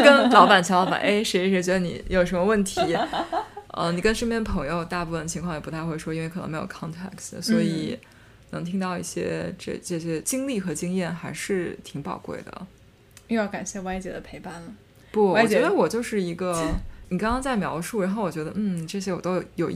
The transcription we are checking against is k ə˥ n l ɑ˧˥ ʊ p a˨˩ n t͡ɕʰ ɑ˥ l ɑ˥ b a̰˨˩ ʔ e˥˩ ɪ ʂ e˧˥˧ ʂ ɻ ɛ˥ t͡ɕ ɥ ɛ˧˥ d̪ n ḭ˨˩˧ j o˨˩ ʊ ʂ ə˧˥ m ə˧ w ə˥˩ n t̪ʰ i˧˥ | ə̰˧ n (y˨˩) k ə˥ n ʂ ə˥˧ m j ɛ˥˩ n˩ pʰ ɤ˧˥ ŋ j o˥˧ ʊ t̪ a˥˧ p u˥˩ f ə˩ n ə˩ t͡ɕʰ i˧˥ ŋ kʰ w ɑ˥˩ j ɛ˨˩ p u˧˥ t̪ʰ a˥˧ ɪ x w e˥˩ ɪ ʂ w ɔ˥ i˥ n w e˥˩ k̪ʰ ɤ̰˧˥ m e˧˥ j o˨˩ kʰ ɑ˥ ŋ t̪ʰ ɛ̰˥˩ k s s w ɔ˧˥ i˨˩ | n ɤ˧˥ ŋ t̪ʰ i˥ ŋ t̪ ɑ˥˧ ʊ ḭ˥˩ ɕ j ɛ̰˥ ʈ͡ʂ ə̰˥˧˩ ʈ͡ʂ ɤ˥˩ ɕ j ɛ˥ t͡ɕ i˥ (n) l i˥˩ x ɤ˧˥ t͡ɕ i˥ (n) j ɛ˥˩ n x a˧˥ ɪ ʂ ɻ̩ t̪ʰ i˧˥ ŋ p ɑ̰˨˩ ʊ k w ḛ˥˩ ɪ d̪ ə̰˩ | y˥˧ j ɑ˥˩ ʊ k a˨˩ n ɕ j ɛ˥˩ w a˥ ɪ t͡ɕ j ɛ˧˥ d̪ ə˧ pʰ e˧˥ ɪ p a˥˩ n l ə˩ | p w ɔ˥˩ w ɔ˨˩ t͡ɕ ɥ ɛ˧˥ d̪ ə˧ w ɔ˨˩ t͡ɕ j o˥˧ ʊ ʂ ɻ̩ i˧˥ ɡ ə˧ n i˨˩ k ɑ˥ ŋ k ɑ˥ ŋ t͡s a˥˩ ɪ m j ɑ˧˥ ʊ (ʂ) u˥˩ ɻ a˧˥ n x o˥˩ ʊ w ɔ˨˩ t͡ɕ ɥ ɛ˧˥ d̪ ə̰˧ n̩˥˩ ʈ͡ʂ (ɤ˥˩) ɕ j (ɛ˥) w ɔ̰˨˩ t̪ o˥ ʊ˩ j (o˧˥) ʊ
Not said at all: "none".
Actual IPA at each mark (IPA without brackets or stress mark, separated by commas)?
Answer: i˨˩, ŋ, ŋ, ʂ, ɤ˥˩, ɛ˥, o˨˩